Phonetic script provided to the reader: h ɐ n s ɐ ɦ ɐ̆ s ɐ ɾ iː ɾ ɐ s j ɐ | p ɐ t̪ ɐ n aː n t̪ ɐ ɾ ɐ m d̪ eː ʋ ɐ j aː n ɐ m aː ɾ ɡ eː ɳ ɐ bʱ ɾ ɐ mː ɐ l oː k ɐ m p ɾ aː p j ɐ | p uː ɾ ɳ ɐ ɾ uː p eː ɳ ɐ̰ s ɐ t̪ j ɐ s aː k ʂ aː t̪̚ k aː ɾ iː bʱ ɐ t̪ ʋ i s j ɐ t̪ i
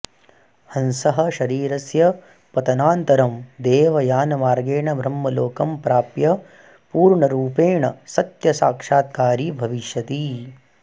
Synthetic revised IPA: h ɐ n s ɐ ɦ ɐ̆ ʃ ɐ ɾ iː ɾ ɐ s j ɐ | p ɐ t̪ ɐ n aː n t̪ ɐ ɾ ɐ m d̪ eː ʋ ɐ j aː n ɐ m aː ɾ ɡ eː ɳ ɐ bʱ ɾ ɐ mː ɐ l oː k ɐ m p ɾ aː p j ɐ | p uː ɾ ɳ ɐ ɾ uː p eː ɳ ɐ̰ s ɐ t̪ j ɐ s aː k ʂ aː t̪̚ k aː ɾ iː bʱ ɐ ʋ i ʃ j ɐ t̪ i